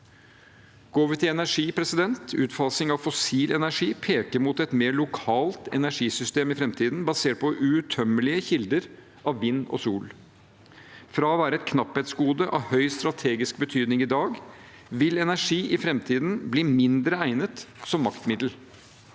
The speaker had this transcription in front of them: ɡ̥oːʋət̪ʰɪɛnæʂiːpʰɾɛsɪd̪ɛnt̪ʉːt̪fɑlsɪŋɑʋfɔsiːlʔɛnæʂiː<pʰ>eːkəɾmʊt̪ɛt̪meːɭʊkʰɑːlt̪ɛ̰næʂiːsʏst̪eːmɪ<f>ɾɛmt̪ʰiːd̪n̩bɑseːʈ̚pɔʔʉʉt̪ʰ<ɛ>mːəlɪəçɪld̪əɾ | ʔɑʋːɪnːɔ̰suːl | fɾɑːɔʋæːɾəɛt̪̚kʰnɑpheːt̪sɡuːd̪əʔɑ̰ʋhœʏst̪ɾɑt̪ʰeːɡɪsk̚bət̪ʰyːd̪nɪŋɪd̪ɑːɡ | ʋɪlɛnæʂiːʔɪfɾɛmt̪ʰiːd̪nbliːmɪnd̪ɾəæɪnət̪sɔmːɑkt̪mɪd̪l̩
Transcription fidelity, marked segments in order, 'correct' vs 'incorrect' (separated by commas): correct, correct, incorrect